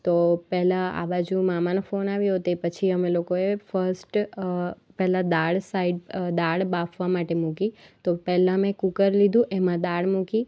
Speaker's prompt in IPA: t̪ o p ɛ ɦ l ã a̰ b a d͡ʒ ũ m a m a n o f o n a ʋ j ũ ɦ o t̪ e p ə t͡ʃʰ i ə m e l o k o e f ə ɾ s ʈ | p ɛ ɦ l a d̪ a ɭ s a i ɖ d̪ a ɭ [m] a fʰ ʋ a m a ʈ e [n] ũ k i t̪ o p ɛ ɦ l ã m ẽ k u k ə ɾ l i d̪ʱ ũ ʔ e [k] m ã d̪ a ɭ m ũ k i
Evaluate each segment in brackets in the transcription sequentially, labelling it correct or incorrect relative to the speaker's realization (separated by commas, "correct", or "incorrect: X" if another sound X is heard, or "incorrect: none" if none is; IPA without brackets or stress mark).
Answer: incorrect: b, incorrect: m, incorrect: none